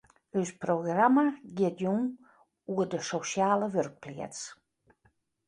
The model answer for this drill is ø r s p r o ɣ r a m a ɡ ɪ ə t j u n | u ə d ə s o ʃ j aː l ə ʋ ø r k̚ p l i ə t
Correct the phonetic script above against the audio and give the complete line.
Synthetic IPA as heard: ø s p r o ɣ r a m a ɡ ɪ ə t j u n | u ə d ə s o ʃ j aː l ə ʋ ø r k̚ p l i ə t͡s